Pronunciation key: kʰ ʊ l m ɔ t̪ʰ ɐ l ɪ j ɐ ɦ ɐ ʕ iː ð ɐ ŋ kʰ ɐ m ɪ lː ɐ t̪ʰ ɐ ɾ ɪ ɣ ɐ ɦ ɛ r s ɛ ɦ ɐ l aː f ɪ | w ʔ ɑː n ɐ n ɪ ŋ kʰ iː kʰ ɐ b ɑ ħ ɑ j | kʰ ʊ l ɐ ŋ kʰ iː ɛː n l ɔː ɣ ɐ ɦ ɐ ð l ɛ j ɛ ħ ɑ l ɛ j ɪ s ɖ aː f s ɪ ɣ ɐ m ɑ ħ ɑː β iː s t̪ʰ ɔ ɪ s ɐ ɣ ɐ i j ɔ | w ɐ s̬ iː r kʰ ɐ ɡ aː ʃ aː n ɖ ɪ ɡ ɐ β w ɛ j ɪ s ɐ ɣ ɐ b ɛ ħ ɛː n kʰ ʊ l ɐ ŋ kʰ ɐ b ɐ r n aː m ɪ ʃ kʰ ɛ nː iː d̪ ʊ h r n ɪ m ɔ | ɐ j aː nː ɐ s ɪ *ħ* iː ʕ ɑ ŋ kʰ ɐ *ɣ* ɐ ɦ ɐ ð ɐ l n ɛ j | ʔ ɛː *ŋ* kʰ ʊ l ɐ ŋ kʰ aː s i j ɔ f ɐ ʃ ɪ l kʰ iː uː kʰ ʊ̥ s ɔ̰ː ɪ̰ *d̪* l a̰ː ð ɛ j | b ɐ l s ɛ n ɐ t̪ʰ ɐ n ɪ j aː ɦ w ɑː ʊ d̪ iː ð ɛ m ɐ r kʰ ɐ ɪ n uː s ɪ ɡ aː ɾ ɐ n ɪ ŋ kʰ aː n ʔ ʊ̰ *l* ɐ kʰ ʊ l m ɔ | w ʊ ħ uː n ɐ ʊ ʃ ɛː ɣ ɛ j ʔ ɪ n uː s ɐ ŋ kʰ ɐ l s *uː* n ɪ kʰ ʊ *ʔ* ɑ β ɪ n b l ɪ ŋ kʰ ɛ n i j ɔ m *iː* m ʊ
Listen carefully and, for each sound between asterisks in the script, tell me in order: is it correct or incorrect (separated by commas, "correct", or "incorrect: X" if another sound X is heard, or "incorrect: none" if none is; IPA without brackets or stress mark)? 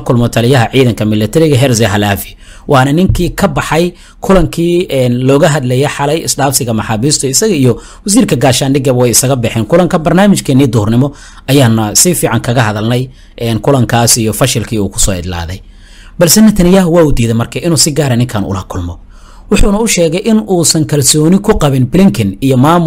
incorrect: f, correct, incorrect: n, correct, correct, incorrect: ɔː, incorrect: q, incorrect: aː